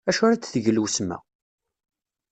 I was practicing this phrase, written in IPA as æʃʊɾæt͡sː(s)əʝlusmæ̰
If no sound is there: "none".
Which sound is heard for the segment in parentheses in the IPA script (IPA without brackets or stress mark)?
θ